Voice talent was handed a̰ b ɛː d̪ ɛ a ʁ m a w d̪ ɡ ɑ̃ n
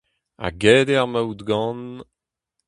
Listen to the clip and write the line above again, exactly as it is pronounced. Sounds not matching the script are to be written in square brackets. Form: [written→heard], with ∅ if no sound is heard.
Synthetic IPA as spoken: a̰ [b→ɡ] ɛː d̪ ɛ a ʁ m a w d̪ ɡ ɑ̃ n